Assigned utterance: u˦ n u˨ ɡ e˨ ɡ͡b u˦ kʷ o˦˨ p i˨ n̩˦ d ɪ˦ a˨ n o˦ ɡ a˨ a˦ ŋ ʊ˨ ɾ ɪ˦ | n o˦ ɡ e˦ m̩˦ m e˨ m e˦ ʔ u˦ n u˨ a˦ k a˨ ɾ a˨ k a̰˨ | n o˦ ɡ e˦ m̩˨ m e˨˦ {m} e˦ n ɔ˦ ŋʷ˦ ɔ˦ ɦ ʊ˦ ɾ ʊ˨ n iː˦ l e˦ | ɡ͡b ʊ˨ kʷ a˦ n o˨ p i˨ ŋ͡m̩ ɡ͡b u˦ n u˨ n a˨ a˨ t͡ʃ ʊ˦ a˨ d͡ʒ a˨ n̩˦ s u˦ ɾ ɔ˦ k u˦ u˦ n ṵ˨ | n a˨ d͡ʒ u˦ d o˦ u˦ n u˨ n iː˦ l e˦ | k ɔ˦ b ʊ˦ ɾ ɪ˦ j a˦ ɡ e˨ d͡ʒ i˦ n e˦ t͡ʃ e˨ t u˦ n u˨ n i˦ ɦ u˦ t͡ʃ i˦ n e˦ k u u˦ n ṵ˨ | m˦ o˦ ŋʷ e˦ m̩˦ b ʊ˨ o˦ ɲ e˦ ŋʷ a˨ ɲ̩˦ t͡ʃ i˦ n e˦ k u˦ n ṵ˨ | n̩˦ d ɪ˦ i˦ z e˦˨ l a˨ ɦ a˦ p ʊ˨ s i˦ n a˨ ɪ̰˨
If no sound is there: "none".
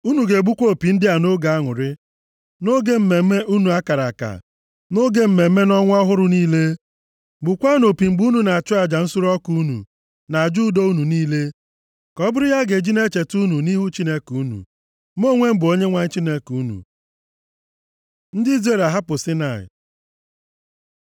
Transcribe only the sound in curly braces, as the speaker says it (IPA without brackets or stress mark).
m